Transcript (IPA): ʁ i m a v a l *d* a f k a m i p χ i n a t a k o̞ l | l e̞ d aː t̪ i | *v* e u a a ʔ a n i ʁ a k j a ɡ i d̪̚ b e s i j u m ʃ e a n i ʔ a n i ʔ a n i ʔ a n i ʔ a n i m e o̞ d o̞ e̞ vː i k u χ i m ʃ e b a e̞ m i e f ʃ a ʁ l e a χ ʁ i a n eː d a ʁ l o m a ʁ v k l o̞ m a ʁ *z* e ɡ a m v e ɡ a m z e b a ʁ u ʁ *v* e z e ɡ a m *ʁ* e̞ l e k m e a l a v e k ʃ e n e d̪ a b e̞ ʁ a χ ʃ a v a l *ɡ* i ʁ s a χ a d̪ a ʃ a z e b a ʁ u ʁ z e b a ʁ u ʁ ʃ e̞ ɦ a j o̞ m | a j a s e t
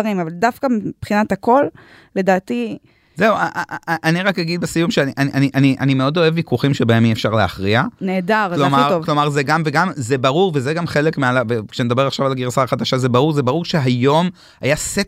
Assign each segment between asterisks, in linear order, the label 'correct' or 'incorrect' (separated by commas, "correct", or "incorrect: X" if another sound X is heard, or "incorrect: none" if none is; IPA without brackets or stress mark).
correct, incorrect: z, correct, correct, incorrect: χ, correct